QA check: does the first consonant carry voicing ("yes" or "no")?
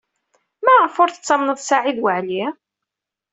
yes